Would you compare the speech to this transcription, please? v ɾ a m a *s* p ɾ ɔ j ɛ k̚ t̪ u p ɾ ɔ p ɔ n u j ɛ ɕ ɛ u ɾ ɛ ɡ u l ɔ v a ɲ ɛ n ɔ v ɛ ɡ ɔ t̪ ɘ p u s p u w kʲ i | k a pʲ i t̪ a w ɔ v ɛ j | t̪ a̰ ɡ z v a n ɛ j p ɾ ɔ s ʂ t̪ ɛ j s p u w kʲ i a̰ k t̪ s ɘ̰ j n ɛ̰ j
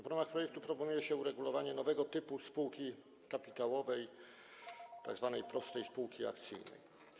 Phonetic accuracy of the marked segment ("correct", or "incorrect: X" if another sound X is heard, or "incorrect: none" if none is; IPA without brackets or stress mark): incorrect: x